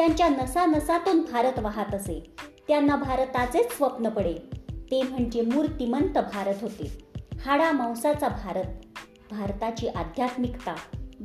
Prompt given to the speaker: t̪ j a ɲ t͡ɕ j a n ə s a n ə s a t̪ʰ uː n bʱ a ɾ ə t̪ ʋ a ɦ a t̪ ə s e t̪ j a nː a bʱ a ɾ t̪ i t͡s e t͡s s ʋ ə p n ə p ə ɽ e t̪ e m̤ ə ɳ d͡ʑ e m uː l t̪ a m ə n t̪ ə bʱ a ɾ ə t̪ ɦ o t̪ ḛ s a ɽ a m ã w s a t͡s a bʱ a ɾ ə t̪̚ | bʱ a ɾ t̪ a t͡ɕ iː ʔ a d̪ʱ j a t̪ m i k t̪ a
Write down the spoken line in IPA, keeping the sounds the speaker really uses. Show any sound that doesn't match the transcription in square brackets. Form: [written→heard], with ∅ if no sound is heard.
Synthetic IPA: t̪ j a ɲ t͡ɕ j a n ə s a n ə s a [t̪ʰ→t̪] uː n bʱ a ɾ ə t̪ ʋ a ɦ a t̪ ə s e t̪ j a nː a bʱ a ɾ t̪ [i→a] t͡s e t͡s s ʋ ə p n ə p ə ɽ e t̪ e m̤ ə ɳ d͡ʑ e m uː [l→ɾ] t̪ [a→i] m ə n t̪ ə bʱ a ɾ ə t̪ ɦ o t̪ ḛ [s→h] a ɽ a m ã w s a t͡s a bʱ a ɾ ə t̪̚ | bʱ a ɾ t̪ a t͡ɕ iː ʔ a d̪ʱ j a t̪ m i k t̪ a